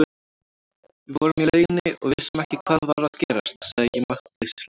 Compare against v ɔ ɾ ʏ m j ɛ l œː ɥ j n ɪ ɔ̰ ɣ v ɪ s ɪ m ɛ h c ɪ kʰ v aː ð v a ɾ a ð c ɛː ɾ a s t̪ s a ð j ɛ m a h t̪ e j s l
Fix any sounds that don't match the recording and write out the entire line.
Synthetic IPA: v ɔ ɾ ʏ m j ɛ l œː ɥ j n ɪ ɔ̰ ɣ v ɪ s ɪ m ɛ h c ɪ kʰ v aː ð v a ɾ a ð c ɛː ɾ a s t̪ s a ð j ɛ m a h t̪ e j s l